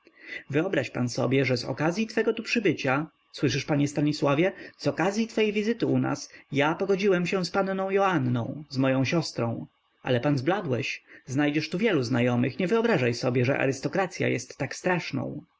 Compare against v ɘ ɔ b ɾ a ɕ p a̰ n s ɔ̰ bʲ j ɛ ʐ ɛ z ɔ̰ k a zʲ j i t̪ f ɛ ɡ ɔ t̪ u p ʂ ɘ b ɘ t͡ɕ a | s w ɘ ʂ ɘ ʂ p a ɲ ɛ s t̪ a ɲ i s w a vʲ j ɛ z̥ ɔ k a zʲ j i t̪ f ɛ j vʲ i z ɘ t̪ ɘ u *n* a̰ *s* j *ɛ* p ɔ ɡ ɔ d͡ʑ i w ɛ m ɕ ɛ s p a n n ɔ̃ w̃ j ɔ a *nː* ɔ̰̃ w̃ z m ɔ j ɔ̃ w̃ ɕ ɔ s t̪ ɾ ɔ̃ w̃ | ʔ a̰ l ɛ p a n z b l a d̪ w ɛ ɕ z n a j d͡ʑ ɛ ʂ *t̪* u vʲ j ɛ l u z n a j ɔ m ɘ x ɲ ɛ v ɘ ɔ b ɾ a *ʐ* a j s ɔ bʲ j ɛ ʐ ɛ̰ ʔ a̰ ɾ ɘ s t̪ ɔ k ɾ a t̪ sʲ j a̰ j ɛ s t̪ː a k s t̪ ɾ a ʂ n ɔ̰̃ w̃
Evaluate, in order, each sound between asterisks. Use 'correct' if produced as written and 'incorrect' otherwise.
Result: correct, correct, incorrect, correct, correct, correct

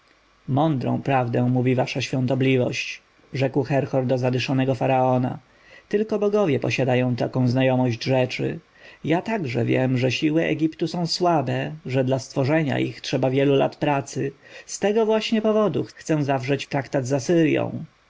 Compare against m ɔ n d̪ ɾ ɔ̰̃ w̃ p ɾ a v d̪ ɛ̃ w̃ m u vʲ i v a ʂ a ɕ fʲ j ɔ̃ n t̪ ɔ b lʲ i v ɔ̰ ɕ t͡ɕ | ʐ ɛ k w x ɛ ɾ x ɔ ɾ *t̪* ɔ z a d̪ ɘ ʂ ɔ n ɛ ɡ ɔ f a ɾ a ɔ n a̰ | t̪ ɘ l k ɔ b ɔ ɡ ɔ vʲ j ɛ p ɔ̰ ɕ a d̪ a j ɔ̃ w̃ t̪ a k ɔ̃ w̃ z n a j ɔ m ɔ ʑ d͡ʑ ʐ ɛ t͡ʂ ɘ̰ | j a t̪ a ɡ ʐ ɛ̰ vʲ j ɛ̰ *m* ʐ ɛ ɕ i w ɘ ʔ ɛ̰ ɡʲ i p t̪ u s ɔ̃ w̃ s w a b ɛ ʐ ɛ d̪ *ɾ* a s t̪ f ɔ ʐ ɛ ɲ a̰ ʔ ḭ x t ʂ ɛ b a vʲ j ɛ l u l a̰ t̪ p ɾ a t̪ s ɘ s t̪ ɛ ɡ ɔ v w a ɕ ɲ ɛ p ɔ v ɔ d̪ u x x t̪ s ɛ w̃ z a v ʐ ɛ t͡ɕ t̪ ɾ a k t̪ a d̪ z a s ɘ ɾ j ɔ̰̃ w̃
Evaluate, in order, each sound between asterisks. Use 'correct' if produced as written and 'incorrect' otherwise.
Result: incorrect, correct, incorrect

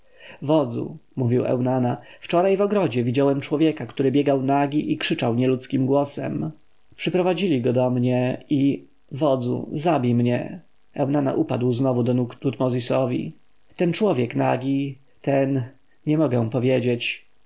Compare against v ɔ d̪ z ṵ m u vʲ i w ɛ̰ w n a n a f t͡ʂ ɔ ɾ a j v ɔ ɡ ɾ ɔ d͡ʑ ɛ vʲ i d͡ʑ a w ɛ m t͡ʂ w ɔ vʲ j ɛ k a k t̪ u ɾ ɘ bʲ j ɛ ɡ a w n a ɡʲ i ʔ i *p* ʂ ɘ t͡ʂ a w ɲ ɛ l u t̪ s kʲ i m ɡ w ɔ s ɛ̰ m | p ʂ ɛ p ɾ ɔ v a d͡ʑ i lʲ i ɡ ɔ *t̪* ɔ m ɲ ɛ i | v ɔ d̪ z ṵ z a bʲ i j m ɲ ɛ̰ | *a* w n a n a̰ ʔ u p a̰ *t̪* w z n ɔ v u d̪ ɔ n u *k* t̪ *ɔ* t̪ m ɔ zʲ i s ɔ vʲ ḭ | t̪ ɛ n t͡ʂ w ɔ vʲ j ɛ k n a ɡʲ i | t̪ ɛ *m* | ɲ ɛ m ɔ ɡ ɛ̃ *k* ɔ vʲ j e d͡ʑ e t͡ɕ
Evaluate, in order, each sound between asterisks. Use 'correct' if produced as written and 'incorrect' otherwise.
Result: incorrect, incorrect, incorrect, incorrect, correct, incorrect, incorrect, incorrect

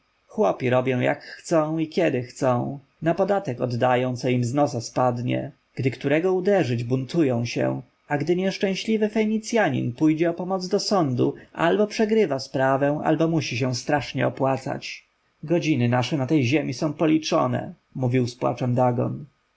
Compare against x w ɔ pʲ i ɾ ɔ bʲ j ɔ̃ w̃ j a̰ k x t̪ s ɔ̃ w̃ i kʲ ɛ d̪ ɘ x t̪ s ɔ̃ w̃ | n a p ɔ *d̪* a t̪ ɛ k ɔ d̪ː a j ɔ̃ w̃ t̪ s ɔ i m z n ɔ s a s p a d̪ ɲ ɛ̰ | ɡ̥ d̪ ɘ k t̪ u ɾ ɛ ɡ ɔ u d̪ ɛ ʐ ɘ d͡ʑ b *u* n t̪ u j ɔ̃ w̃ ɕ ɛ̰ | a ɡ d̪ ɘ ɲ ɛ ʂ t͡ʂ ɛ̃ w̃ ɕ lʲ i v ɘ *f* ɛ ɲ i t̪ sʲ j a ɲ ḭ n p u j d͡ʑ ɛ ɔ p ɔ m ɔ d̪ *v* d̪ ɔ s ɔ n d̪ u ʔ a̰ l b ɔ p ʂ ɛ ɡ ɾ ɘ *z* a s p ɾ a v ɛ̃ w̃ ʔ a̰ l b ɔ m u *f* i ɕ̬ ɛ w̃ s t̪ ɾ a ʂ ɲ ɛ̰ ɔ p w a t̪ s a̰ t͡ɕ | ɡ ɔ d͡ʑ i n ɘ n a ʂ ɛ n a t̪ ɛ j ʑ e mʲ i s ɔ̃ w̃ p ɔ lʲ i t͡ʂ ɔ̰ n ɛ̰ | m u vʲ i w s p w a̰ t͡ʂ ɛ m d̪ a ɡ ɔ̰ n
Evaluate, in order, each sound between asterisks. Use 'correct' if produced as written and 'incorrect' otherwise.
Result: correct, correct, correct, incorrect, incorrect, incorrect

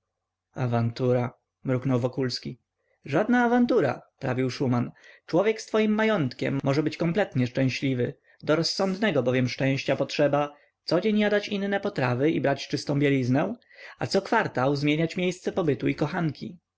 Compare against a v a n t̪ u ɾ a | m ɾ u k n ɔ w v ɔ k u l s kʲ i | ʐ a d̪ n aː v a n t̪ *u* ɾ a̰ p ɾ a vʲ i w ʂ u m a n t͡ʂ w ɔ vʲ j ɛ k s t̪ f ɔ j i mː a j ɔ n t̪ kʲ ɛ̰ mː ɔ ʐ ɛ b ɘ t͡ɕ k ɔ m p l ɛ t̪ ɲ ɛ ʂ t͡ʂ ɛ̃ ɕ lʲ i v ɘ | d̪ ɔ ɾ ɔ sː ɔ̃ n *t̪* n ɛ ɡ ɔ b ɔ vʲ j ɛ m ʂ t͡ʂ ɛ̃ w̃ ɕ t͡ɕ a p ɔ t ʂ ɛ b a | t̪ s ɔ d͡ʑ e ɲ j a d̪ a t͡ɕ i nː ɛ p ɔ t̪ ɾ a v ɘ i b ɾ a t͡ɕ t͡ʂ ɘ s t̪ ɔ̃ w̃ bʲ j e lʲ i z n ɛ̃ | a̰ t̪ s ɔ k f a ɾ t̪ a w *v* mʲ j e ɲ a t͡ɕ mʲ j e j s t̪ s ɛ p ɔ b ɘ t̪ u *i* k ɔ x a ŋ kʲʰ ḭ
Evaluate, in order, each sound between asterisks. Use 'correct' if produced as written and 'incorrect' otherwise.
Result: correct, incorrect, incorrect, correct

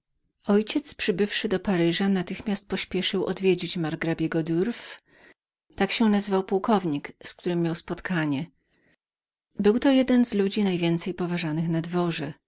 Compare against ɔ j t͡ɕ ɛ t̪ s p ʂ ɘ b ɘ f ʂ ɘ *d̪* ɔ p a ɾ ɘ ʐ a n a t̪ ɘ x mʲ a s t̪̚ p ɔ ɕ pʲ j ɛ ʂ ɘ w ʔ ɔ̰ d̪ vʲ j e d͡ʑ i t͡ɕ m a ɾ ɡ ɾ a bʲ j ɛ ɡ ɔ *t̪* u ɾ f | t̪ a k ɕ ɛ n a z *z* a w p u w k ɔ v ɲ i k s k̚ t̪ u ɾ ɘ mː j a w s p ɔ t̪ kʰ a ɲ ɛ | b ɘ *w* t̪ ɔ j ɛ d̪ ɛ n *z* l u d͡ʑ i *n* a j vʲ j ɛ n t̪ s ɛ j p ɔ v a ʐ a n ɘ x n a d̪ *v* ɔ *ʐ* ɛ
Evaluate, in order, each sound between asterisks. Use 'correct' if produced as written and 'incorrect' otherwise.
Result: correct, incorrect, incorrect, correct, correct, correct, correct, correct

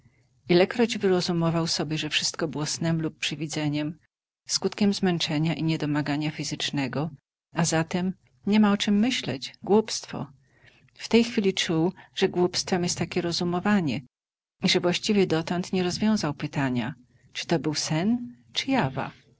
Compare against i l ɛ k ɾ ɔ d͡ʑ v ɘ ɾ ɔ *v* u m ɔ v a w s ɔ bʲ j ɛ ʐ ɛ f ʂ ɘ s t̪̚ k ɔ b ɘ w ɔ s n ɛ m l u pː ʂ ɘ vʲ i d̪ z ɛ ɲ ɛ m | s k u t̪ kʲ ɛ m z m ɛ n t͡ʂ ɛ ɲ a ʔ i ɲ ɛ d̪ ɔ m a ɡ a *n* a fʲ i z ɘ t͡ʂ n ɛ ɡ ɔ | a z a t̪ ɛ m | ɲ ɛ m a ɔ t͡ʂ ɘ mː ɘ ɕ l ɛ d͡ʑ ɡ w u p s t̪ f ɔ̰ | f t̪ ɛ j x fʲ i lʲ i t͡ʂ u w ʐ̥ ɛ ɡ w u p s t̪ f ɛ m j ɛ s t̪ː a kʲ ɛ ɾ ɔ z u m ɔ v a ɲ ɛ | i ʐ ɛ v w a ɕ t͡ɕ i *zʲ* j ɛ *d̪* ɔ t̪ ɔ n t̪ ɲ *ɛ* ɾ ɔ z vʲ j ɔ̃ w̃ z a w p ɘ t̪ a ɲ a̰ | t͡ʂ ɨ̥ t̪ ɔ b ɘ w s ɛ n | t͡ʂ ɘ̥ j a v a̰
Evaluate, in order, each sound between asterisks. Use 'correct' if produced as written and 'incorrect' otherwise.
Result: incorrect, incorrect, incorrect, correct, correct

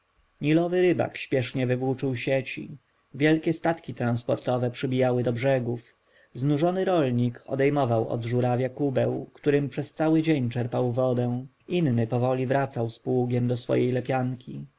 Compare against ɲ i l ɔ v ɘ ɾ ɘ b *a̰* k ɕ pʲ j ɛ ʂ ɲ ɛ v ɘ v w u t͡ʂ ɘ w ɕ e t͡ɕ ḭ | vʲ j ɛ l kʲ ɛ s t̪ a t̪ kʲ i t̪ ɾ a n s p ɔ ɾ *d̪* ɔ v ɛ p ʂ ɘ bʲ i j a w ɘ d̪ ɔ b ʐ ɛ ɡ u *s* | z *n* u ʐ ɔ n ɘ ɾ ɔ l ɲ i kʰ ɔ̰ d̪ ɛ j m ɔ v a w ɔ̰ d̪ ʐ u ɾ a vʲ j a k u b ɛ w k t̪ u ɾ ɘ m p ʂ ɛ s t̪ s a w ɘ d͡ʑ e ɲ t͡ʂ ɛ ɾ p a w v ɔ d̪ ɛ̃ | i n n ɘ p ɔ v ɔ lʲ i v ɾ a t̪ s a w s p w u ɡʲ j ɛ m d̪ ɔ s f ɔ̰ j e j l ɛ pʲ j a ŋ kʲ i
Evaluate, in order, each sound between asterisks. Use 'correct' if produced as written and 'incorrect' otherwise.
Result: correct, incorrect, incorrect, correct

